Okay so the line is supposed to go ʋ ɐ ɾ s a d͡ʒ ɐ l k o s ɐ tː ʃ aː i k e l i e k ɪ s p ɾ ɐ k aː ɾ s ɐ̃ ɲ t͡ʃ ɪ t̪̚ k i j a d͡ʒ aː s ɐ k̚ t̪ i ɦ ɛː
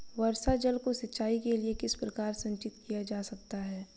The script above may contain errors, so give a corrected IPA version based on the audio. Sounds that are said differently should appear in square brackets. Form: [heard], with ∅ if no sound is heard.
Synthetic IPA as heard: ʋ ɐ ɾ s a d͡ʒ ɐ l k o s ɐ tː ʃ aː i k e l i e k ɪ s p ɾ ɐ k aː ɾ s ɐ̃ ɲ t͡ʃ ɪ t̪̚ k i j a d͡ʒ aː s ɐ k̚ t̪ [a] ɦ ɛː